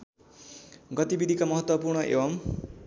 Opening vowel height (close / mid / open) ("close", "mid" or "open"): mid